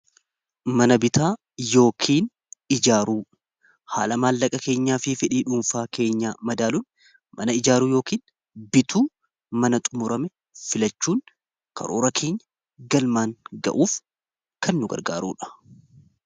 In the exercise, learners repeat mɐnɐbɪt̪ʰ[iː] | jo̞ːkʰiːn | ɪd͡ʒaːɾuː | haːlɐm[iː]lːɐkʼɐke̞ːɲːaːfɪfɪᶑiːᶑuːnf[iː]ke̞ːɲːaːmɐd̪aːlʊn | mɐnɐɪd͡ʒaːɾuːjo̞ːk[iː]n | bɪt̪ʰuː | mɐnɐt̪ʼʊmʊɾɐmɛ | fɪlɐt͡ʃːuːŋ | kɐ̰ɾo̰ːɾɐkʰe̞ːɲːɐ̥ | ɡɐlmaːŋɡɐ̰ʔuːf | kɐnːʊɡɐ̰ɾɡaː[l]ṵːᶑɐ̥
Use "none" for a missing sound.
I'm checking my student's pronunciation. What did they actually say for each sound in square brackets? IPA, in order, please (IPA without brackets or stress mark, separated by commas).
aː, aː, aː, iː, ɾ